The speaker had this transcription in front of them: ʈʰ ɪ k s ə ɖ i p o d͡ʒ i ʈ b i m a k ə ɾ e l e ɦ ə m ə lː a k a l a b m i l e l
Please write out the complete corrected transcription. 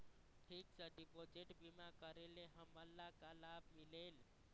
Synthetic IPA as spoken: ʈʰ i k s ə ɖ i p o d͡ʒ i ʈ b i m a k ə ɾ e l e ɦ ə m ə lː a k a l a b m i l e l

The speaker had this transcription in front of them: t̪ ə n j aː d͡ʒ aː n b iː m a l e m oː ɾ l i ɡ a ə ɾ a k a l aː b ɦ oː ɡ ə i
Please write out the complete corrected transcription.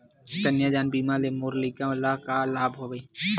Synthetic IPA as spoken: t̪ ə n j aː d͡ʒ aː n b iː m a l e m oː ɾ l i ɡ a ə l a k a l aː b ɦ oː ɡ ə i

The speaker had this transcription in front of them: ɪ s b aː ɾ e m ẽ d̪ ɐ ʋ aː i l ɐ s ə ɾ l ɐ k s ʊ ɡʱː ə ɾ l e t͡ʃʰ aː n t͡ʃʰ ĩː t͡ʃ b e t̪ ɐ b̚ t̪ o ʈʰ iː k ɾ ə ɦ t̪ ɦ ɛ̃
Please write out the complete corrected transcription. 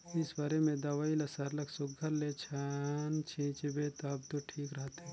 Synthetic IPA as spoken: ɪ s b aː ɾ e m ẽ d̪ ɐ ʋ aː i l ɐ s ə ɾ l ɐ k s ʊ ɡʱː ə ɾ l e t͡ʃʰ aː n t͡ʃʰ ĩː t͡ʃ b e t̪ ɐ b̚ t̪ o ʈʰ iː k ɾ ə ɦ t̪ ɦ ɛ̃

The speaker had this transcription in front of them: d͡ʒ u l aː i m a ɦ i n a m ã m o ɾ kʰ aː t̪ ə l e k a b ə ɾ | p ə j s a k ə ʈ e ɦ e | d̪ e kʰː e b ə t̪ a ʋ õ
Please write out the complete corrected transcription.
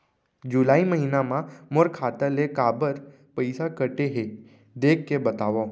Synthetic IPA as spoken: d͡ʒ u l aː i m ə ɦ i n a m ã m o ɾ kʰ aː t̪ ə l e k a b ə ɾ | p ə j s a k ə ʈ e ɦ e | d̪ e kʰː e b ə t̪ a ʋ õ

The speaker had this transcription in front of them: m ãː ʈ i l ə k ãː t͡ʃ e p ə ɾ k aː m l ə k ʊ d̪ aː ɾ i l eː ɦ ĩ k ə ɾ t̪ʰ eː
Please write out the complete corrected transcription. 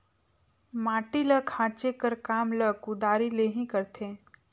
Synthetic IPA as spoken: m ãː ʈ i l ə kʰ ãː t͡ʃ e k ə ɾ k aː m l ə k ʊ d̪ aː ɾ i l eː ɦ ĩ k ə ɾ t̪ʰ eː

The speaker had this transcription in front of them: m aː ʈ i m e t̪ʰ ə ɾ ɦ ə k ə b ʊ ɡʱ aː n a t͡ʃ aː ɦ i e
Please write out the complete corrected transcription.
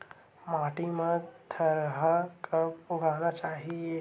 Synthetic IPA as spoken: m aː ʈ i m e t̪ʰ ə ɾ ɦ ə k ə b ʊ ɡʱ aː n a t͡ʃ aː ɦ i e

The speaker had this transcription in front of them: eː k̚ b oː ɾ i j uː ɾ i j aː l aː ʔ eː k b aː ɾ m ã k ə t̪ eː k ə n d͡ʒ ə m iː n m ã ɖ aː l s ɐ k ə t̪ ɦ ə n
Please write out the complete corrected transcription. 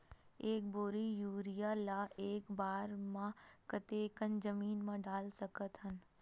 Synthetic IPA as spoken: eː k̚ b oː ɾ i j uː ɾ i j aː l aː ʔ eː k b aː ɾ m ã k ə t̪ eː k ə n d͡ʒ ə m iː n m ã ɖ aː l s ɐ k ə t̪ ɦ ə n

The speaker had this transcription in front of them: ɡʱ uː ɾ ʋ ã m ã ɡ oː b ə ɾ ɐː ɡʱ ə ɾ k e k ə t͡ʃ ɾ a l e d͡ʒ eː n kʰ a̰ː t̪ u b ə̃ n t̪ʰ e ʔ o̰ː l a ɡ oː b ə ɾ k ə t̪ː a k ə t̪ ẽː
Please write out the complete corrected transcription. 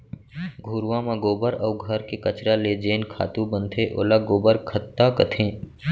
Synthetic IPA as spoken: ɡʱ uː ɾ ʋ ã m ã ɡ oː b ə ɾ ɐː ɡʱ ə ɾ k e k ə t͡ʃ ɾ a l e d͡ʒ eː n kʰ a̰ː t̪ u b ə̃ n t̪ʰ e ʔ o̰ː l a ɡ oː b ə ɾ kʰ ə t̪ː a k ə t̪ʰ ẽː

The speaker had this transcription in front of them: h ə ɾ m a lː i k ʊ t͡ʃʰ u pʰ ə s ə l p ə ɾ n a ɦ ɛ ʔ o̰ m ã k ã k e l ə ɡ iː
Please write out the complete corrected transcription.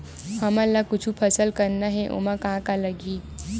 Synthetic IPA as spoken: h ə m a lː a k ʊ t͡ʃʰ u pʰ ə s ə l k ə ɾ n a ɦ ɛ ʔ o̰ m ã k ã k a l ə ɡ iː

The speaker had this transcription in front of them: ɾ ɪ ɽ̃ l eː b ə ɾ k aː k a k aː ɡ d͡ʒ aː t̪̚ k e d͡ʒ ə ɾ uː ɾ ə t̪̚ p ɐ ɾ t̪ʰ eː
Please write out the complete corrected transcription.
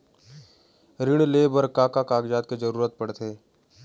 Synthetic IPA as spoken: ɾ ɪ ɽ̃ l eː b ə ɾ k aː k a k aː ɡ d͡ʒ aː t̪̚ k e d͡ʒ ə ɾ uː ɾ ə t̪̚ p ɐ ɽ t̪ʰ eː

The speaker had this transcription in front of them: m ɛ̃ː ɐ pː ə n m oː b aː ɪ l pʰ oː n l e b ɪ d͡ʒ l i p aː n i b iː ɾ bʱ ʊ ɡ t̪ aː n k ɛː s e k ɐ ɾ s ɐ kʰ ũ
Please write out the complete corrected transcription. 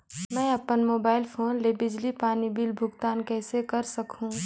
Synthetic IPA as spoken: m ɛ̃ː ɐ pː ə n m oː b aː ɪ l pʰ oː n l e b ɪ d͡ʒ l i p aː n i b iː l bʱ ʊ ɡ t̪ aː n k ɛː s e k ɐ ɾ s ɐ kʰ ũ

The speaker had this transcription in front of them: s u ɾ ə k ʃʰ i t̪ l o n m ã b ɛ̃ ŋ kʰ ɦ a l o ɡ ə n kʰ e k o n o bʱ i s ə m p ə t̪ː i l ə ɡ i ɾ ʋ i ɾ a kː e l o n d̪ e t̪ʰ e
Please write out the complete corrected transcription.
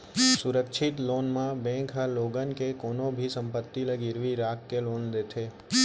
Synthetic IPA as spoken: s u ɾ ə k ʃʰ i t̪ l o n m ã b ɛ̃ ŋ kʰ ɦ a l o ɡ ə n k e k o n o bʱ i s ə m p ə t̪ː i l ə ɡ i ɾ ʋ i ɾ a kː e l o n d̪ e t̪ʰ e

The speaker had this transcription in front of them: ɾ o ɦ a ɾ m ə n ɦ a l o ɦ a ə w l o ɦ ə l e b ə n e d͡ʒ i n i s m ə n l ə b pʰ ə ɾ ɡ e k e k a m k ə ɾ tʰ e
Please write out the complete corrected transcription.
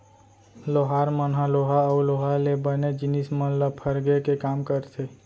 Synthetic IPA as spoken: l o ɦ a ɾ m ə n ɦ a l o ɦ a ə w l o ɦ a l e b ə n e d͡ʒ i n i s m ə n l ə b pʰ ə ɾ ɡ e k e k a m k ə ɾ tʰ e

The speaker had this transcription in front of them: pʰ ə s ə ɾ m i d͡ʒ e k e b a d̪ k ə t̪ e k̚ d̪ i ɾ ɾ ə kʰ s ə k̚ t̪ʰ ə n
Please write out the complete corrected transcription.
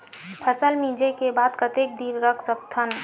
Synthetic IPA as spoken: pʰ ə s ə l m i d͡ʒ e k e b a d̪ k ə t̪ e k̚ d̪ i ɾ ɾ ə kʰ s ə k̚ t̪ʰ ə n

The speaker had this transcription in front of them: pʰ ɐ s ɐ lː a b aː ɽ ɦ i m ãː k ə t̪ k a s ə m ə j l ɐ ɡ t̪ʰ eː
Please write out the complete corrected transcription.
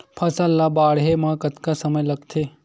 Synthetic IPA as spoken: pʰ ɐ s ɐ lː a b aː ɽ ɦ e m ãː k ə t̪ k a s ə m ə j l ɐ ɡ t̪ʰ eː

